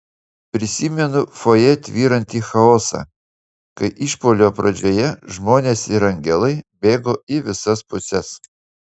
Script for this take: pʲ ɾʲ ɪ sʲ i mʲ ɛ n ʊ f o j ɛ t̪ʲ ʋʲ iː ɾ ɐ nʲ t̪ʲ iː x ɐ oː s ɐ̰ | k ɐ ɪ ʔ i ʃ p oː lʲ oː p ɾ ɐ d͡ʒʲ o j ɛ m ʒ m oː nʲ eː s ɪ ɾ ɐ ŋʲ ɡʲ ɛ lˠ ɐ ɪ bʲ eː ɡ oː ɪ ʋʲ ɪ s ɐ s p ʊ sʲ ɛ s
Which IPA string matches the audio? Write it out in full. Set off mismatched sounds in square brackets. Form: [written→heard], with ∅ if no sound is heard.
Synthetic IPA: pʲ ɾʲ ɪ sʲ i mʲ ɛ n ʊ f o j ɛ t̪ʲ ʋʲ iː ɾ ɐ nʲ t̪ʲ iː x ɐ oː s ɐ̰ | k ɐ ɪ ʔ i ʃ p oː lʲ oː p ɾ ɐ d͡ʒʲ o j ɛ [m→∅] ʒ m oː nʲ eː s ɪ ɾ ɐ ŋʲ ɡʲ ɛ lˠ ɐ ɪ bʲ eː ɡ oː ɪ ʋʲ ɪ s ɐ s p ʊ sʲ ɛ s

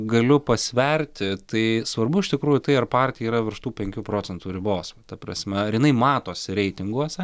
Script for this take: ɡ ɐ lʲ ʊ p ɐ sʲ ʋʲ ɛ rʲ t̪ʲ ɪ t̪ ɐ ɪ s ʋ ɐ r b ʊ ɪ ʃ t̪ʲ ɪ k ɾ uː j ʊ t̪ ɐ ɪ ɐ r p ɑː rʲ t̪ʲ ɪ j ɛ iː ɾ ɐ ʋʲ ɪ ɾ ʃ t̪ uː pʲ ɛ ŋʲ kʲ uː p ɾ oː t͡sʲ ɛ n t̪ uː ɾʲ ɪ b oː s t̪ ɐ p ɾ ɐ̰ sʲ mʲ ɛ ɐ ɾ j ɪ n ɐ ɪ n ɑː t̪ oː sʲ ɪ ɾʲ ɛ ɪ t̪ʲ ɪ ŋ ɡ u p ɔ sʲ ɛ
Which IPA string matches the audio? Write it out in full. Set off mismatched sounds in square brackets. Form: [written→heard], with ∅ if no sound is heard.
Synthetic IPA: ɡ ɐ lʲ ʊ p ɐ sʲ ʋʲ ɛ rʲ t̪ʲ ɪ t̪ ɐ ɪ s ʋ ɐ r b ʊ ɪ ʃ t̪ʲ ɪ k ɾ uː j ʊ t̪ ɐ ɪ ɐ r p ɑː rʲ t̪ʲ ɪ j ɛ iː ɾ ɐ ʋʲ ɪ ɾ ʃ t̪ uː pʲ ɛ ŋʲ kʲ uː p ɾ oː t͡sʲ ɛ n t̪ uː ɾʲ ɪ b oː s t̪ ɐ p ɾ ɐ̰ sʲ mʲ ɛ ɐ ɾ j ɪ n ɐ ɪ [n→m] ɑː t̪ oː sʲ ɪ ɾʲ ɛ ɪ t̪ʲ ɪ ŋ ɡ u [p→∅] ɔ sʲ ɛ

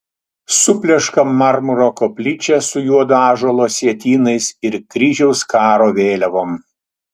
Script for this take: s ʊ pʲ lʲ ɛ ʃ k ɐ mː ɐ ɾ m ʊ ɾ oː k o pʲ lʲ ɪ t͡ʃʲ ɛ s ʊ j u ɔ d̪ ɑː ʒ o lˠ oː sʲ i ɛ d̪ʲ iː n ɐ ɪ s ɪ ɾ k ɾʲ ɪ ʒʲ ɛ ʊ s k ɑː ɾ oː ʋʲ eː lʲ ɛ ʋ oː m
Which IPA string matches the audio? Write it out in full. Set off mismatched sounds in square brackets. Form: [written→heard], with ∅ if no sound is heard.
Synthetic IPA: s ʊ pʲ lʲ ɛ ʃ k ɐ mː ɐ ɾ m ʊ ɾ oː k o pʲ lʲ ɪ t͡ʃʲ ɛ s ʊ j u ɔ d̪ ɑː ʒ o lˠ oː sʲ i ɛ [d̪ʲ→t̪ʲ] iː n ɐ ɪ s ɪ ɾ k ɾʲ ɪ ʒʲ ɛ ʊ s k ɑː ɾ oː ʋʲ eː lʲ ɛ ʋ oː m

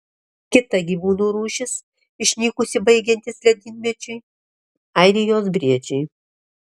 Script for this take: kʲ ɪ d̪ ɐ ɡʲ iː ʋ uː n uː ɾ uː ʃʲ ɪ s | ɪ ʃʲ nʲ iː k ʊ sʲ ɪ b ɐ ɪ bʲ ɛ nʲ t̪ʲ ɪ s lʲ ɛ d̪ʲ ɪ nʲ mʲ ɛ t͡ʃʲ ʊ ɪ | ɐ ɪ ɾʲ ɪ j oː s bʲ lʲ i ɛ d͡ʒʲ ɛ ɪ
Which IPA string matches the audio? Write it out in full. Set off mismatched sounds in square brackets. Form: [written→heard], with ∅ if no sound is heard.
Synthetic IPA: kʲ ɪ [d̪→t̪] ɐ ɡʲ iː ʋ uː n uː ɾ uː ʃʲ ɪ s | ɪ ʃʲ nʲ iː k ʊ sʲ ɪ b ɐ ɪ [bʲ→ɡʲ] ɛ nʲ t̪ʲ ɪ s lʲ ɛ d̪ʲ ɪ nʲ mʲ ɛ t͡ʃʲ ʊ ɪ | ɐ ɪ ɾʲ ɪ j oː s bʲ [lʲ→ɾʲ] i ɛ d͡ʒʲ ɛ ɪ

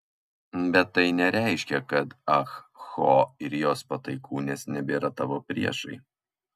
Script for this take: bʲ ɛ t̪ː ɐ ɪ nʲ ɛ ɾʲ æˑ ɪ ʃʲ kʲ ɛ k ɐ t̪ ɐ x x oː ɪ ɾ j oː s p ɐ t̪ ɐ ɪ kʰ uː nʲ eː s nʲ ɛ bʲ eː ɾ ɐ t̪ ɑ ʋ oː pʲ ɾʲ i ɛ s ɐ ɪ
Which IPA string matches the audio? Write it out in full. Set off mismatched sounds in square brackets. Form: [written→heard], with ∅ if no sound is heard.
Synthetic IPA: bʲ ɛ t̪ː ɐ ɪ nʲ ɛ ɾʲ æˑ ɪ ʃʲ kʲ ɛ k ɐ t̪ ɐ x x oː ɪ ɾ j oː s p ɐ t̪ ɐ ɪ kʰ uː nʲ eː s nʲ ɛ bʲ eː ɾ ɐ t̪ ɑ ʋ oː pʲ ɾʲ i ɛ [s→ʃ] ɐ ɪ

